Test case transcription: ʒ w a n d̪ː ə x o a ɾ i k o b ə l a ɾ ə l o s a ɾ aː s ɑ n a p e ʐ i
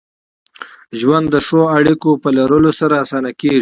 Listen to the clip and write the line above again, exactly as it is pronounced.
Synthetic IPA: ʒ w a n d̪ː ə ʂ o a ɽ i k o p ə l a ɾ ə l o s a ɾ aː s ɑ n a k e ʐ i